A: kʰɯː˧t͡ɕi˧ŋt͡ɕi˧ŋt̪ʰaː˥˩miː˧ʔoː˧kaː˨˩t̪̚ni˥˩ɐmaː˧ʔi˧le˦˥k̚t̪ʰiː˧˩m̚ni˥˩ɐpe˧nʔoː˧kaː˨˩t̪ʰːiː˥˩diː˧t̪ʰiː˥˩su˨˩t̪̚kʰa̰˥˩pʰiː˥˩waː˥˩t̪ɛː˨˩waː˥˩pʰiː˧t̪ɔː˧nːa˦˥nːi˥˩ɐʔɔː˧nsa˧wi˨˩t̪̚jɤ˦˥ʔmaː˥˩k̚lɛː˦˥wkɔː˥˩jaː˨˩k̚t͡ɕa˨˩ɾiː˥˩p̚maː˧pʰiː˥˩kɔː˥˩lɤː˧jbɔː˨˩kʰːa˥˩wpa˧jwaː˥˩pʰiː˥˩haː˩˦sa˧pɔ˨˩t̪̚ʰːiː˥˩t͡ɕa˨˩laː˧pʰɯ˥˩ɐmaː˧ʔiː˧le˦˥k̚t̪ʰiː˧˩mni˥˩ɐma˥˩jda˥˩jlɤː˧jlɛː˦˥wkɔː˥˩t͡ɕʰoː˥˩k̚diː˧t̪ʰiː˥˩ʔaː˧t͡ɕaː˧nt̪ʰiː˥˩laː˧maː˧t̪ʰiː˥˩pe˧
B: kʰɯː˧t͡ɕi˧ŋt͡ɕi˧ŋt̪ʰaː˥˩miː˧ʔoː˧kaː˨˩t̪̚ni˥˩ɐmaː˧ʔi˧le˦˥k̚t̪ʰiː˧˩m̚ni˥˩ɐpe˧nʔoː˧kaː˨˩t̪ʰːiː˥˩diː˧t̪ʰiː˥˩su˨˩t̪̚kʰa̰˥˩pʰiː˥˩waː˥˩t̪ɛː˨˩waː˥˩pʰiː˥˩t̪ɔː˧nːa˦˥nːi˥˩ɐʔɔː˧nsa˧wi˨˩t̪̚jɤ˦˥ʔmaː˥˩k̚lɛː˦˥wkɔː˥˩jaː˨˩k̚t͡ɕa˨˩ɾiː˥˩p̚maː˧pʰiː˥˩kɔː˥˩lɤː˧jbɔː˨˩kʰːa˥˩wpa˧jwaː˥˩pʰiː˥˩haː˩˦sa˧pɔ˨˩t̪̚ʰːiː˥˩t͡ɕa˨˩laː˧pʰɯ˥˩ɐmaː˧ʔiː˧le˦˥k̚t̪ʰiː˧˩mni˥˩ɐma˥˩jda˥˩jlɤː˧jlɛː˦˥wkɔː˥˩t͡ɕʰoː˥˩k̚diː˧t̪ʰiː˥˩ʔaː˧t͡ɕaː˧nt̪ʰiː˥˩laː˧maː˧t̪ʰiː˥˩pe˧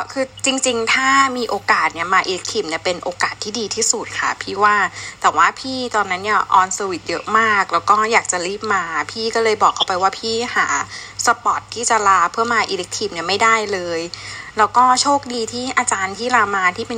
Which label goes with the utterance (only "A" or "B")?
B